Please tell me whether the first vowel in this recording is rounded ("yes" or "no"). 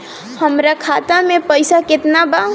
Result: no